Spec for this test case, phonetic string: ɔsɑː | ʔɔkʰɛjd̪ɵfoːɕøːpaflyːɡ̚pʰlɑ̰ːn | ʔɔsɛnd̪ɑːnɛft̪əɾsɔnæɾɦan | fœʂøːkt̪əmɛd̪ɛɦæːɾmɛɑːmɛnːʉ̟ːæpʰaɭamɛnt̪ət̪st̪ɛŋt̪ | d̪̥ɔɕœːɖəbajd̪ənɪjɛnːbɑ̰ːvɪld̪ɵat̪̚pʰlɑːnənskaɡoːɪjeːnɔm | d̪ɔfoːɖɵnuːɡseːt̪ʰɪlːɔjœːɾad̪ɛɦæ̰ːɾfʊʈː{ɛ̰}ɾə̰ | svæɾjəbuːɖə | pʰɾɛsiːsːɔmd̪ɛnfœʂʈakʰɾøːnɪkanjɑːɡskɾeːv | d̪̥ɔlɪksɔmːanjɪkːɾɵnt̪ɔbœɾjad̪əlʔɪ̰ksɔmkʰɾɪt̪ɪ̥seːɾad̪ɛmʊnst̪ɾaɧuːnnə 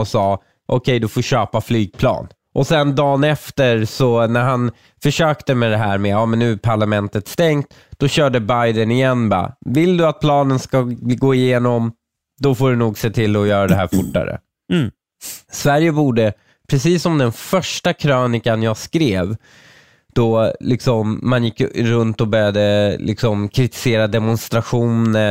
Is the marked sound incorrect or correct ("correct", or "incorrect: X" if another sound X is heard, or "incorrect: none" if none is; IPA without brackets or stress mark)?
incorrect: a̰